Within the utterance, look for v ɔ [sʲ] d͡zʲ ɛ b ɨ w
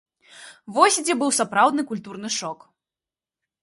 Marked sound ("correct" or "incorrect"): correct